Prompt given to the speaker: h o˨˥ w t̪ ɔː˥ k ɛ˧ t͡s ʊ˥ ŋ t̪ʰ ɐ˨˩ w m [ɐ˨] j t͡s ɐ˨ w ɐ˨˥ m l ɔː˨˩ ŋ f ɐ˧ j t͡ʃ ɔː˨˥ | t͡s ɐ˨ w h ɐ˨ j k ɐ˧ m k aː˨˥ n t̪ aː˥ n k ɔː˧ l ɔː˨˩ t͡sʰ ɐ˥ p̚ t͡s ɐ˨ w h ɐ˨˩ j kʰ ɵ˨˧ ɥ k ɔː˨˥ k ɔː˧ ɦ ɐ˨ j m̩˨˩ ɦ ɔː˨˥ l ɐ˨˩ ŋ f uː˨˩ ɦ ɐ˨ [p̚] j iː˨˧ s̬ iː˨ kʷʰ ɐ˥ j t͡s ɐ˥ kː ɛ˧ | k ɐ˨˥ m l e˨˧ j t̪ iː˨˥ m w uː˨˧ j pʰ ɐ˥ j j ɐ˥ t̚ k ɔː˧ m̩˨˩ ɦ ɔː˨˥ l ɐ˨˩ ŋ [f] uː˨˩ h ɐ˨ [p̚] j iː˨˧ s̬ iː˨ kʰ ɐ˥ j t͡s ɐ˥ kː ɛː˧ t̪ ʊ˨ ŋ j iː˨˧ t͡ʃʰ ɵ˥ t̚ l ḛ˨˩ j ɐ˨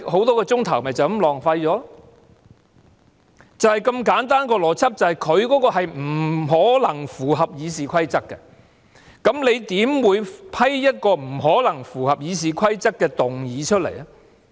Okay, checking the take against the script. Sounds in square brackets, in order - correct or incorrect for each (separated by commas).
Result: correct, correct, correct, correct